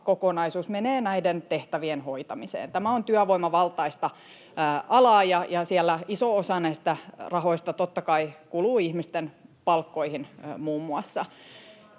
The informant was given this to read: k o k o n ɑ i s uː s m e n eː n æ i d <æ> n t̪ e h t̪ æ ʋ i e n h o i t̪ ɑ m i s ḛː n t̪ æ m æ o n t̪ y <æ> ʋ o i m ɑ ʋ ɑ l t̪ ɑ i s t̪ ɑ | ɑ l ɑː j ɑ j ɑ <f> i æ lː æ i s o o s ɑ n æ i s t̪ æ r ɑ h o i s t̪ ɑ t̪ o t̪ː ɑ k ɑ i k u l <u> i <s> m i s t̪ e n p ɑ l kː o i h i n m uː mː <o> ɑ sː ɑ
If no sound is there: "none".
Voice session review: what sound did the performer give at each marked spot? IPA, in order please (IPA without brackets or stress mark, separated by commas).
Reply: e, æ, s, uː, h, u